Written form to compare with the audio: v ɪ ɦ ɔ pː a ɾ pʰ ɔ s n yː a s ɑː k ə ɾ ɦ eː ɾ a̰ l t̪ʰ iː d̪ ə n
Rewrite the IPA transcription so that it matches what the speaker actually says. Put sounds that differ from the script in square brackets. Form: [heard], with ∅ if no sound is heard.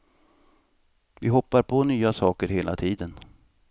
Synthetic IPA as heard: v ɪ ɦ ɔ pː a ɾ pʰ ɔ [∅] n yː a s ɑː k ə ɾ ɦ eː [l] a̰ [∅] t̪ʰ iː d̪ ə n